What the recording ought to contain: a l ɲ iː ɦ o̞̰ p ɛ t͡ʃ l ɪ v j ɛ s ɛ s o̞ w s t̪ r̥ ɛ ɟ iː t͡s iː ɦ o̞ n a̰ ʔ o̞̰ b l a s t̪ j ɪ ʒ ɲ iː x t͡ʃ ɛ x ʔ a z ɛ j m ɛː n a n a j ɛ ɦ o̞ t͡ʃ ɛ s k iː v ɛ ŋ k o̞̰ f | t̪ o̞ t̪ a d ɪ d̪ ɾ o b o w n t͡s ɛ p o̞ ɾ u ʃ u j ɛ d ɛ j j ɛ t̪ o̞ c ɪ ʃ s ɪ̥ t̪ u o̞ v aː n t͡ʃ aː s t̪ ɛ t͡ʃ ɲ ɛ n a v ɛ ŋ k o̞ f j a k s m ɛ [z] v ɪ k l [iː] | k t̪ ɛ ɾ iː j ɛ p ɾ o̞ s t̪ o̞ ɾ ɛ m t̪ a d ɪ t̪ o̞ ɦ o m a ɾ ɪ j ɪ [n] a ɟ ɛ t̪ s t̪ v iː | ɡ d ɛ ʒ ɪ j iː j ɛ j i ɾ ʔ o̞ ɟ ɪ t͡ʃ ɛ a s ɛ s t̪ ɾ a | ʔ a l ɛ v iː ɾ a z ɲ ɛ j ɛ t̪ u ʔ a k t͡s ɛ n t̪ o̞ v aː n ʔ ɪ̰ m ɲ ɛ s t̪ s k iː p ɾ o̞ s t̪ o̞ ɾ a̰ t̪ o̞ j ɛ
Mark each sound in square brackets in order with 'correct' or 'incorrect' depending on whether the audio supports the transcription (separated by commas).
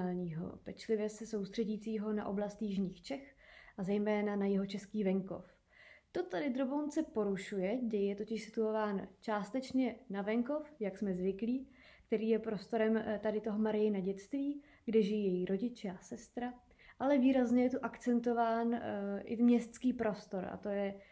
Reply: correct, correct, correct